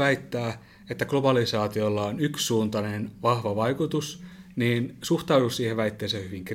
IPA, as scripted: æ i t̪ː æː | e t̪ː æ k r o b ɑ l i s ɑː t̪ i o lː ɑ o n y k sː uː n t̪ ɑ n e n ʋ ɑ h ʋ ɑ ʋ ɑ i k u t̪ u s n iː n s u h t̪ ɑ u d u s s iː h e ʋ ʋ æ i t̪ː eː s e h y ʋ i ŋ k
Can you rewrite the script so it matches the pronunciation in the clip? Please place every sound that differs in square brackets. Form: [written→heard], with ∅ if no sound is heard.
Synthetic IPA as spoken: æ i t̪ː æː | e t̪ː æ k [r→l] o b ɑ l i s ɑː t̪ i o lː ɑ o n y k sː uː n t̪ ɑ n e n ʋ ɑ h ʋ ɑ ʋ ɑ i k u t̪ u s n iː n s u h t̪ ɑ u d u s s iː h e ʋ ʋ æ i t̪ː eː s e h y ʋ i ŋ k